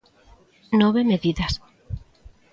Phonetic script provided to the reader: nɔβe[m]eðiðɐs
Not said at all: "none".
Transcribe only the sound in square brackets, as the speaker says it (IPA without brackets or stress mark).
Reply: m